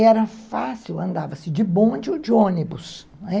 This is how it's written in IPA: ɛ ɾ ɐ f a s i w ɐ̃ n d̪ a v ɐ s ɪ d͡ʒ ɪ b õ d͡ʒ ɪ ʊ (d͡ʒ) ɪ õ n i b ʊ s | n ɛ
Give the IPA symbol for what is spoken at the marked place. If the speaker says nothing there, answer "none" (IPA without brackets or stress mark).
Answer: d͡ʒ